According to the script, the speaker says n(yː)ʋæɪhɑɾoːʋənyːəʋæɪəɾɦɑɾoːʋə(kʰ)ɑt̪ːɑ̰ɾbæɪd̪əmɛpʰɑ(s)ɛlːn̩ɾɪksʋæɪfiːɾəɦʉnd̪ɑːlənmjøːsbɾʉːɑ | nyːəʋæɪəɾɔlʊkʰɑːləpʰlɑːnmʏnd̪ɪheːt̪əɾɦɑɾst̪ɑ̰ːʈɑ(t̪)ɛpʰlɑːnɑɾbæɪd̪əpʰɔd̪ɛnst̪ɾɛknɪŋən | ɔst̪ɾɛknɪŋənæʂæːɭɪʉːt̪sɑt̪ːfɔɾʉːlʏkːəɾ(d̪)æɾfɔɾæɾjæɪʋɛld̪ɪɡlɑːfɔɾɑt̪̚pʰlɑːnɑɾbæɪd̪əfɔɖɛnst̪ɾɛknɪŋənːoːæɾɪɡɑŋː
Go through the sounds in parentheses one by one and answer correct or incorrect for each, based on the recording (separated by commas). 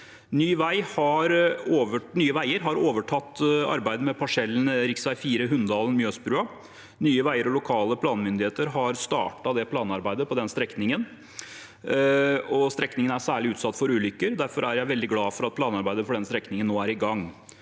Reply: correct, incorrect, incorrect, incorrect, correct